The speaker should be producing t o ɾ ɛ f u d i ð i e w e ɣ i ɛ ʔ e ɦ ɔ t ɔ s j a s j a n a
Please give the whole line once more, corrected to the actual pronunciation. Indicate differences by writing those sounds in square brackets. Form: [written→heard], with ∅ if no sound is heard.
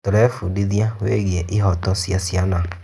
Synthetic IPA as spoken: t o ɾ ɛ f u d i ð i [e→a] w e ɣ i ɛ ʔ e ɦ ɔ t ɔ s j a s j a n a